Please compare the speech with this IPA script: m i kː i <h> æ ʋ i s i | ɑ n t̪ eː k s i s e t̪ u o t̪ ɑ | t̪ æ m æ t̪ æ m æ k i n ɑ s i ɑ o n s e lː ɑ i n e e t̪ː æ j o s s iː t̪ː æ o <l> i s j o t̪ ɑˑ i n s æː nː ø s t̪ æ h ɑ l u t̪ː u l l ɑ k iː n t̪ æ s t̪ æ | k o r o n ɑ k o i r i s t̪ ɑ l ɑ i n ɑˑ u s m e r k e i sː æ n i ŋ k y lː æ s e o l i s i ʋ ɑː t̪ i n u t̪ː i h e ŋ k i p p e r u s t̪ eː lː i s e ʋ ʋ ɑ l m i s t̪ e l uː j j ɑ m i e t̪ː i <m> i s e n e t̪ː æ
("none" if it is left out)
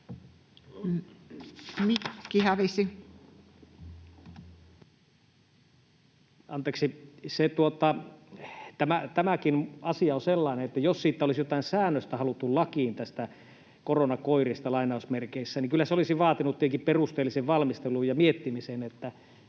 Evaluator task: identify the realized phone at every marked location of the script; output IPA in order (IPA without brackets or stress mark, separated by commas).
h, l, m